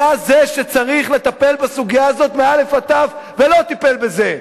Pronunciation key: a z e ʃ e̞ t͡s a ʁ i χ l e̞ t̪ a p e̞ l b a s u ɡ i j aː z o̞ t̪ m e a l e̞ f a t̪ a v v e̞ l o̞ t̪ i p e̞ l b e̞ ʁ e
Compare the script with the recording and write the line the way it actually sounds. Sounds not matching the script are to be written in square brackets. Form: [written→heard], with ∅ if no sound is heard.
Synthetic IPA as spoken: a z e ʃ e̞ t͡s a ʁ i χ l e̞ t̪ a p e̞ l b a s u ɡ i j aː z o̞ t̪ m e a l e̞ f a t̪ a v v e̞ l o̞ t̪ i p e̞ l b e̞ [ʁ→z] e

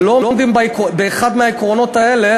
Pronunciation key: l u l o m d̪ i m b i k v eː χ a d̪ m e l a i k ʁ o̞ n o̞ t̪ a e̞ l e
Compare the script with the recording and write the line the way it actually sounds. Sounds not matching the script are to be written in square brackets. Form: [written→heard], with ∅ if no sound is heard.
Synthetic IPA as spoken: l [u→o] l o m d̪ i m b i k [v→b] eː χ a d̪ m e [l→∅] a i k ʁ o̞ n o̞ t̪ a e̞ l e

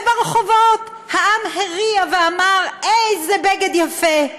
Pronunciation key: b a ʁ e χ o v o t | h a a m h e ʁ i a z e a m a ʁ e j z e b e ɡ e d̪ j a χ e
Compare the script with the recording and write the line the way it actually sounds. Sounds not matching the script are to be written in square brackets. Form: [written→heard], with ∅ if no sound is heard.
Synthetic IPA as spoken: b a ʁ e χ o v o t | h a a m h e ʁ i a [z→v] e a m a ʁ e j z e b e ɡ e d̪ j a [χ→f] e

